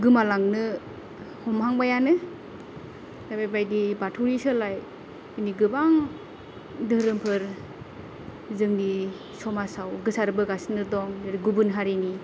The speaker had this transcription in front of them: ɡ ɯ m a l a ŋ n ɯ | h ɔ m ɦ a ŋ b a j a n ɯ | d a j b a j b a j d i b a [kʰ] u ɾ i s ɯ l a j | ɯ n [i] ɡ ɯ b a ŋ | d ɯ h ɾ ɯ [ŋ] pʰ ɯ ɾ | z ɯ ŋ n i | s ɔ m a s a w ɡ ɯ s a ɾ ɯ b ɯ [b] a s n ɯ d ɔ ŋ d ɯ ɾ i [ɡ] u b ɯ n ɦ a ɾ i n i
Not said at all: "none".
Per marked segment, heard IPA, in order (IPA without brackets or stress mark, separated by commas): tʰ, i, m, ɡ, ɡ